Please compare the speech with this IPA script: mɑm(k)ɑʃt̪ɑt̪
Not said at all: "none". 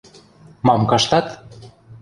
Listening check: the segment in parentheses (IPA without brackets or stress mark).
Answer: k